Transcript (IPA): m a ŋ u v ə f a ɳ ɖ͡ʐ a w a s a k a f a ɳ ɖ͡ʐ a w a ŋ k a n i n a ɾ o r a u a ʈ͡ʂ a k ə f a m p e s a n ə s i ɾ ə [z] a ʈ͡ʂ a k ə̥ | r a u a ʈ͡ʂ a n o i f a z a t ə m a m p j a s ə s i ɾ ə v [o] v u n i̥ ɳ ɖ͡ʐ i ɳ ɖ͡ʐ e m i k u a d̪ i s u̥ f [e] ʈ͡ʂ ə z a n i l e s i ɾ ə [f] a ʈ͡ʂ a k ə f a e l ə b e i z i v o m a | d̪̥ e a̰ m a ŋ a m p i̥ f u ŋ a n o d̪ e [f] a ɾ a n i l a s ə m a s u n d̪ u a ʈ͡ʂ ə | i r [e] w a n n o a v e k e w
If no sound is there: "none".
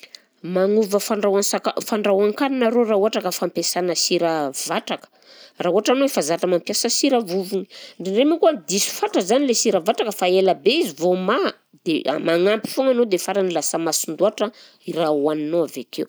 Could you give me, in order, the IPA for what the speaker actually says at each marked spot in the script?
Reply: v, u, a, v, f, a

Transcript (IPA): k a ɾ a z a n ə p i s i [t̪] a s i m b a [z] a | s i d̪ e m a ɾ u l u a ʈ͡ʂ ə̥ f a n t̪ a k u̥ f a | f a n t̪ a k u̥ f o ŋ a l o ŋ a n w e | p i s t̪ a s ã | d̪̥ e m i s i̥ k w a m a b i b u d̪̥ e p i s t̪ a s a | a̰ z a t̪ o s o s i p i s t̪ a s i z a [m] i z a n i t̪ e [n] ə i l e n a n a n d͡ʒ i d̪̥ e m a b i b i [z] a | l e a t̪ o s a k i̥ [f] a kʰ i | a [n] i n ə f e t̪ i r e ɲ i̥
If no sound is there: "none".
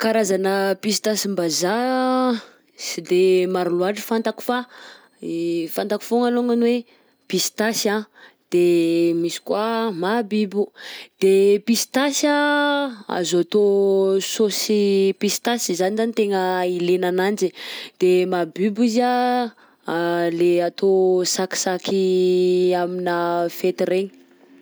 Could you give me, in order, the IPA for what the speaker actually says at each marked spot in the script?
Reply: t̪, z, n, ŋ, z, s, m

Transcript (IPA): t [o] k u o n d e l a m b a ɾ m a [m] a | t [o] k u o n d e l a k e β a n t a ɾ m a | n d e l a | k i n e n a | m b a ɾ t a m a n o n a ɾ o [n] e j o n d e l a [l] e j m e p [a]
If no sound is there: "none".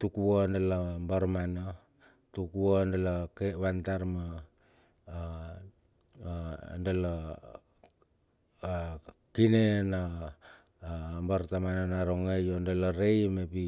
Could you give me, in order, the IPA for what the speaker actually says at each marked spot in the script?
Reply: u, n, u, ŋ, ɾ, i

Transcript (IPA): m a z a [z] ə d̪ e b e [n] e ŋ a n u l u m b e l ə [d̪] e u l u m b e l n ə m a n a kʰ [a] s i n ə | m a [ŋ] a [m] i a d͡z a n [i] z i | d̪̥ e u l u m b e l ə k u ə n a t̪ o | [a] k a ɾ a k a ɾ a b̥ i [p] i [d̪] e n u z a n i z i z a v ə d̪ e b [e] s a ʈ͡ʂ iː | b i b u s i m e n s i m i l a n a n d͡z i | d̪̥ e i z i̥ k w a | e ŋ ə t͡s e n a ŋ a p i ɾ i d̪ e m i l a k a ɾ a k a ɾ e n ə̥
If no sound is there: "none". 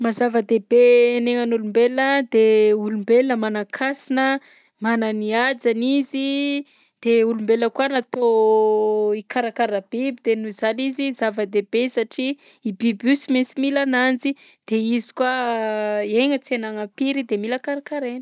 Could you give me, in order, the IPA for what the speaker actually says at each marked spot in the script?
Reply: v, n, d̪, a, n, n, i, i, b, d̪, e

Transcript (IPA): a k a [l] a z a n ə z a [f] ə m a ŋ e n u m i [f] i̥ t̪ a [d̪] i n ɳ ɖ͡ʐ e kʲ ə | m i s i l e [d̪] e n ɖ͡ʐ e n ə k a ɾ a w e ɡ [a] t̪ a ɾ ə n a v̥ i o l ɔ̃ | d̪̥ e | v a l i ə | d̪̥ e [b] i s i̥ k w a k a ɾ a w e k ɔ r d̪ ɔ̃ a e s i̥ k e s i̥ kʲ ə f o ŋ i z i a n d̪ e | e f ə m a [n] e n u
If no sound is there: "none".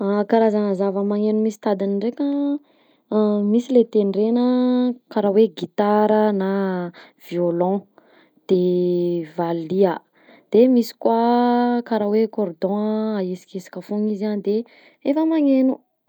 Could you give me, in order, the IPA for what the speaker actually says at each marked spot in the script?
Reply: ɾ, v, s, d̪, t̪, i, m, ŋ

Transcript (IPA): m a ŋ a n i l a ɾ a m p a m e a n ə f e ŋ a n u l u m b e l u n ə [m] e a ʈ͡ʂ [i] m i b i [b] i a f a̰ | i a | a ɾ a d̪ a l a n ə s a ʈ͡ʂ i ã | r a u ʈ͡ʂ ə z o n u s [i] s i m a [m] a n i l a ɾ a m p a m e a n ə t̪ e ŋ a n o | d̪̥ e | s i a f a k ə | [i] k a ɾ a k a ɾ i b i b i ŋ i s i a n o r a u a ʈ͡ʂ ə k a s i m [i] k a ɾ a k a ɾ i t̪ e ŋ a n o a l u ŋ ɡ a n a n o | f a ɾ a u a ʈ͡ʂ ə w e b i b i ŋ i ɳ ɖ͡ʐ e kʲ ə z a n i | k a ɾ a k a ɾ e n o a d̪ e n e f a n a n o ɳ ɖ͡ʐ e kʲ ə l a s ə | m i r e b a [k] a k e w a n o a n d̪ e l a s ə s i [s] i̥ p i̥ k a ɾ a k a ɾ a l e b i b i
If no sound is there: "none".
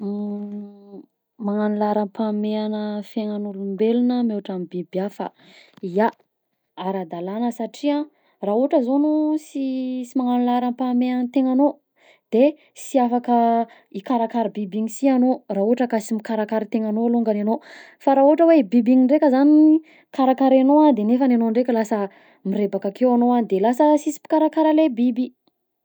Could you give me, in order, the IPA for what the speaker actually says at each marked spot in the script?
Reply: m, a, b, i, ŋ, i, i, k, s

